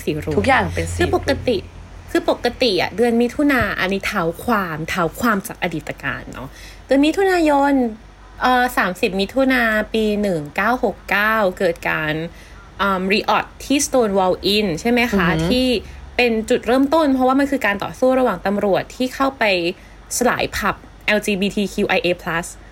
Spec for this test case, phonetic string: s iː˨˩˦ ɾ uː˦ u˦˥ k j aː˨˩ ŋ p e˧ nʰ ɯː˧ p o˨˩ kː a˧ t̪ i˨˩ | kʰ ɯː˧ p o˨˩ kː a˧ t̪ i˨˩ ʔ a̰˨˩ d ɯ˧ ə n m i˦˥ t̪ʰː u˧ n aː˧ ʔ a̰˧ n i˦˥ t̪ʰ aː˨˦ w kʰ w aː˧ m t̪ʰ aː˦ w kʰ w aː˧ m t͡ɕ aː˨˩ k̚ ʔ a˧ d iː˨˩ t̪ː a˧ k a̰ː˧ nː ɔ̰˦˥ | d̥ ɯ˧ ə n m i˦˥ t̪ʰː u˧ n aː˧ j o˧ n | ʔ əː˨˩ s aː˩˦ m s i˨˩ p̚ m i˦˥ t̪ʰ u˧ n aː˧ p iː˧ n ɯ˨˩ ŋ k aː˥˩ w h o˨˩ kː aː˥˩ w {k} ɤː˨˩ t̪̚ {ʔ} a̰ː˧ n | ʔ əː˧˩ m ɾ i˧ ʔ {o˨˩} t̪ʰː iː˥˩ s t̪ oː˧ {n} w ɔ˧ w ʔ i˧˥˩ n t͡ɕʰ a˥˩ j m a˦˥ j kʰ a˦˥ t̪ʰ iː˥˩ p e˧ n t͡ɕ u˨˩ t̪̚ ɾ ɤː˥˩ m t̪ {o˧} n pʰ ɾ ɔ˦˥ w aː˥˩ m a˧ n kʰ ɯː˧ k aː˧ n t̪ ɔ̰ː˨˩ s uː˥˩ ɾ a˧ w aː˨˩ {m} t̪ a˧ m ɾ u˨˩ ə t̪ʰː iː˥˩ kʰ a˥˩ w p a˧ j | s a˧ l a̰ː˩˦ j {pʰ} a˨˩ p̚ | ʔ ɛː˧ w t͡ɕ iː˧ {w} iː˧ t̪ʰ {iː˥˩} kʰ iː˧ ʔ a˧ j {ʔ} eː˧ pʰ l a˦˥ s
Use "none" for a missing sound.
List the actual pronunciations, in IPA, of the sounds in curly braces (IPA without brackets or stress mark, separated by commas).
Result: k, k, ɔ˨˩, n, o˥˩, ŋ, pʰ, b, iː˧, ʔ